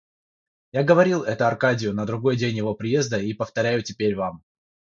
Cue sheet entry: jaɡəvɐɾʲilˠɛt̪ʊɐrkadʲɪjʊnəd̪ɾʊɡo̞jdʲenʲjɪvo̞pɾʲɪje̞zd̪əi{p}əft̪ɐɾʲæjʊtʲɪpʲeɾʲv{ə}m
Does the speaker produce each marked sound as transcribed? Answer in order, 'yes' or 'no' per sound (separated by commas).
yes, no